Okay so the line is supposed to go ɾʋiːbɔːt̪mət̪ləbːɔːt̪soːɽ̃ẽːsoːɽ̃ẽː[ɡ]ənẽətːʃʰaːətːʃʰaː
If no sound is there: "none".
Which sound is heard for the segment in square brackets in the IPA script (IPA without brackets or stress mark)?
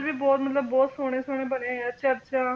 b